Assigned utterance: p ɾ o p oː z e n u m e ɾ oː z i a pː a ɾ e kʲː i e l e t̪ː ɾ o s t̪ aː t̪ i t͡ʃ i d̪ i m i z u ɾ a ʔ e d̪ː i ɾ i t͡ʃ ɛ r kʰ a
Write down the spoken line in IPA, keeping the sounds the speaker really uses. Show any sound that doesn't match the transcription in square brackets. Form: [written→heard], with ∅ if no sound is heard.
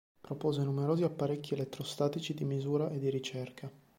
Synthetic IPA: p ɾ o p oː z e n u m e ɾ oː z i a pː a ɾ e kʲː i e l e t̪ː ɾ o s t̪ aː t̪ i t͡ʃ i d̪ i m i z [u→uː] ɾ a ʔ e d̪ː i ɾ i t͡ʃ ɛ r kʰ a